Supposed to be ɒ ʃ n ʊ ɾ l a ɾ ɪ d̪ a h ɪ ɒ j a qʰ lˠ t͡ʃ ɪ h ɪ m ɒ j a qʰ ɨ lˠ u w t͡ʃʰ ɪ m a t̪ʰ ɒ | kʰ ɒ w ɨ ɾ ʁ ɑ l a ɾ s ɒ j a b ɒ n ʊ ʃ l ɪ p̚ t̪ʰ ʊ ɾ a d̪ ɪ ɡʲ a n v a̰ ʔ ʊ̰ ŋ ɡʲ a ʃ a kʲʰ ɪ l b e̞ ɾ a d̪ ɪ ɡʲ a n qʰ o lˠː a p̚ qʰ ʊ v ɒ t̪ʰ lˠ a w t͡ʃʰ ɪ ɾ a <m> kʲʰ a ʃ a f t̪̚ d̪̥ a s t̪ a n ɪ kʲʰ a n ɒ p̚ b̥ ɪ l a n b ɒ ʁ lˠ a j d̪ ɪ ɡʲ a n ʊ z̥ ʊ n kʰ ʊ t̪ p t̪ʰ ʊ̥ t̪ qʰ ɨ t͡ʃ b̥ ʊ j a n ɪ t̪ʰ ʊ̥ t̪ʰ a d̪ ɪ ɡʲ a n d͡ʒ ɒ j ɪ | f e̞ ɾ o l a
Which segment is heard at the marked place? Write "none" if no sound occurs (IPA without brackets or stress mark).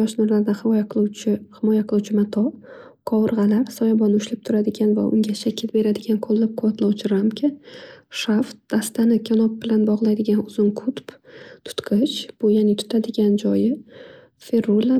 m